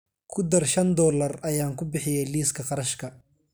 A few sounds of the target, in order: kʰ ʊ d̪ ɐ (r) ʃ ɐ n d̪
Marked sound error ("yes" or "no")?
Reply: no